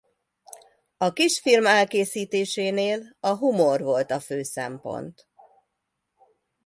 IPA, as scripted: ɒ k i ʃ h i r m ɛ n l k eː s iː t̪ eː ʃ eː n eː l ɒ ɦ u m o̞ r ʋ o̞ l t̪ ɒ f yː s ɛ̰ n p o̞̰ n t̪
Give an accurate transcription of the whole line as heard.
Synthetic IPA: ɒ k i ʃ f i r m ɛ l k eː s iː t̪ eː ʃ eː n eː l ɒ ɦ u m o̞ r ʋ o̞ l t̪ ɒ f øː s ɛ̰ m p o̞̰ n t̪